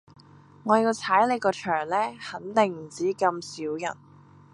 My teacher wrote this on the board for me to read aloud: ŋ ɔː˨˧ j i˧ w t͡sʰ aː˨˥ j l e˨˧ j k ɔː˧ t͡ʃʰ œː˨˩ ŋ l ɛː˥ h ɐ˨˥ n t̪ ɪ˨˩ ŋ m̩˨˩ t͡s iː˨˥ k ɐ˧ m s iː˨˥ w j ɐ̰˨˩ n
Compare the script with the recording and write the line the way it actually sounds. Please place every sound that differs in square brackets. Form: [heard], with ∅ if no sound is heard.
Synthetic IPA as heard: ŋ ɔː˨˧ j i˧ w t͡sʰ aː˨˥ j l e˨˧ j k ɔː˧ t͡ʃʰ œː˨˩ ŋ l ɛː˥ h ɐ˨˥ n t̪ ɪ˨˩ ŋ m̩˨˩ t͡s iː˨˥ k ɐ˧ m s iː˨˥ w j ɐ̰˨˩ n